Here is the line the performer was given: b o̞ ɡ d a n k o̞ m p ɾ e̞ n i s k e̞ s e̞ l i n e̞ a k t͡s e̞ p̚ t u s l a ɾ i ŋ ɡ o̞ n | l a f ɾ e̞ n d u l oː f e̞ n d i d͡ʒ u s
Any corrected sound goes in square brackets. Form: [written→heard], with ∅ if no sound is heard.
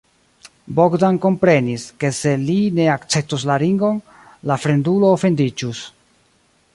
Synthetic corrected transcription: b o̞ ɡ d a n k o̞ m p ɾ e̞ n i s k e̞ s e̞ l i n e̞ a k t͡s e̞ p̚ t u s l a ɾ i ŋ ɡ o̞ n | l a f ɾ e̞ n d u l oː f e̞ n d i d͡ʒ u s